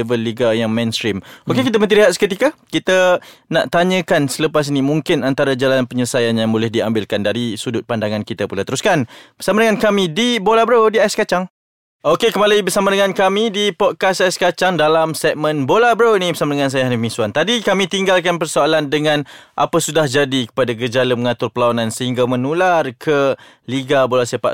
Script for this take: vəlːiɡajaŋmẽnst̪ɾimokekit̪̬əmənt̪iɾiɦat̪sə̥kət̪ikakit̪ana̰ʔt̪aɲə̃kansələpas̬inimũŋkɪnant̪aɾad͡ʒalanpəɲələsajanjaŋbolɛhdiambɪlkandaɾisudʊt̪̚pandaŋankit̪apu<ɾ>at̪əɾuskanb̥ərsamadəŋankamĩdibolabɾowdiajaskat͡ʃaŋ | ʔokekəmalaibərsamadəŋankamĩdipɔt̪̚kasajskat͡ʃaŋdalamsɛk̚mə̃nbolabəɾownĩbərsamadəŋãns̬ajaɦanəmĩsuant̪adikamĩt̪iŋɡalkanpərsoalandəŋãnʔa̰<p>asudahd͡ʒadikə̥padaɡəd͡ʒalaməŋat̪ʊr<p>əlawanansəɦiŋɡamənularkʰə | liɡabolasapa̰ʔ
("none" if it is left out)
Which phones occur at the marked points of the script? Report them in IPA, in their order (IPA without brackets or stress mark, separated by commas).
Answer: l, p, p